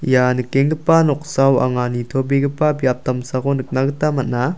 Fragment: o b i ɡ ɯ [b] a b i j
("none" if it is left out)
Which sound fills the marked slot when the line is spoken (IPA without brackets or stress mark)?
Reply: p